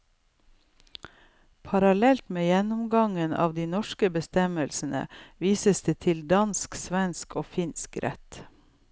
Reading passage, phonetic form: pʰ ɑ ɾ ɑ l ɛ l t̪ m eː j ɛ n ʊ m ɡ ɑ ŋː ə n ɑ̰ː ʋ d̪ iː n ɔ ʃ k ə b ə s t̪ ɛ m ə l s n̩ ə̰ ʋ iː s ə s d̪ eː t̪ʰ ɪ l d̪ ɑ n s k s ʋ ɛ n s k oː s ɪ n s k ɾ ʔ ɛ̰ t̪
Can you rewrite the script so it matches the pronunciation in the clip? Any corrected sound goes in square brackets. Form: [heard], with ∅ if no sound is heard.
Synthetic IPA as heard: pʰ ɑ ɾ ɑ l ɛ l t̪ m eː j ɛ n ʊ m ɡ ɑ [ŋ] ə n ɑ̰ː ʋ d̪ iː n ɔ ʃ k ə b ə s t̪ ɛ m ə l s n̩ ə̰ ʋ iː s ə s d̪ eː t̪ʰ ɪ l d̪ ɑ n s k s ʋ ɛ n s k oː [f] ɪ n s k ɾ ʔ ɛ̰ t̪